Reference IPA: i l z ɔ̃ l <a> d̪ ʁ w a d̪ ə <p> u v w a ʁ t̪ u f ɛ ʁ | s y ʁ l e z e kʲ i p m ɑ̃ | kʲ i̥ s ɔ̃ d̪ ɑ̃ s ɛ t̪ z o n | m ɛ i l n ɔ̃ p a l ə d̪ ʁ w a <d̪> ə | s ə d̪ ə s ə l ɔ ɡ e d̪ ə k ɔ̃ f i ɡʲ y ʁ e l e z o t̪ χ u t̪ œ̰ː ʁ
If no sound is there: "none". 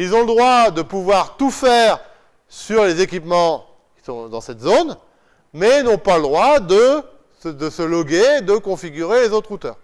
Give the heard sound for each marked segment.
ə, p, d̪

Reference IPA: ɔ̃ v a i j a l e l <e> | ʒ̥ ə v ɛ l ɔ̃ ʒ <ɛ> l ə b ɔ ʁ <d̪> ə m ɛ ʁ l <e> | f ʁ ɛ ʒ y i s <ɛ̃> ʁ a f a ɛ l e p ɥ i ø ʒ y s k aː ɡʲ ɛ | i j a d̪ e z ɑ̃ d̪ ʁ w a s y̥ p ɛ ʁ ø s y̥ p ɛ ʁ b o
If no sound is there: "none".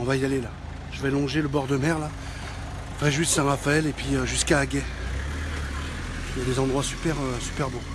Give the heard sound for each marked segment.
a, e, d̪, a, ɛ̃

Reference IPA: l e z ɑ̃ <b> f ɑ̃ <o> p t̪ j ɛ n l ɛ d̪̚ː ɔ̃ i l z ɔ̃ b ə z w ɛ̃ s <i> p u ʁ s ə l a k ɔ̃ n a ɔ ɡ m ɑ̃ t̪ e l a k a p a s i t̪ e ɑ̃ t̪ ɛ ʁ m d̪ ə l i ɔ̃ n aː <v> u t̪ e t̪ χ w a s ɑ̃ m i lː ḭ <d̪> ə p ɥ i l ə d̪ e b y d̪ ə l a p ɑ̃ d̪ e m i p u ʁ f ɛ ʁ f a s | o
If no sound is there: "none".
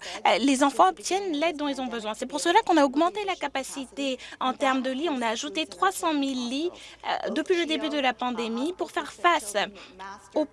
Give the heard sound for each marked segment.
none, ɔ, ɛ, ʒ, d̪

